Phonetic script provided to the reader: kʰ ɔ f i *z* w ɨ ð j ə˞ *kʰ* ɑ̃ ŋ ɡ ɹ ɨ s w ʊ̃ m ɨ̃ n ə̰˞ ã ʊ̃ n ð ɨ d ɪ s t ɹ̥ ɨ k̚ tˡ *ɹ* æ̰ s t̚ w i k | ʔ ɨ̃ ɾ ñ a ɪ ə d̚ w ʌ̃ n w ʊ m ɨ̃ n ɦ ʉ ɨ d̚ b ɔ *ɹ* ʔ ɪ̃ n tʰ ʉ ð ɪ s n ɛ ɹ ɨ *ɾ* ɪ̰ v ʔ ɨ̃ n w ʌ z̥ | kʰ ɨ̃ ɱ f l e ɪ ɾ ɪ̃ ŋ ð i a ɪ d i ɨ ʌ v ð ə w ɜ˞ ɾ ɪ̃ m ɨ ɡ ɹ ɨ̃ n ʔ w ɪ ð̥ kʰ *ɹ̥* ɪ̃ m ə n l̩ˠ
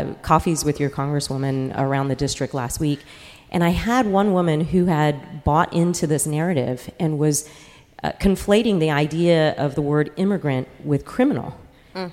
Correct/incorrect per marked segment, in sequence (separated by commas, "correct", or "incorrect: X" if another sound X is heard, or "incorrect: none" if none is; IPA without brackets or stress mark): correct, correct, incorrect: l, incorrect: ɾ, correct, correct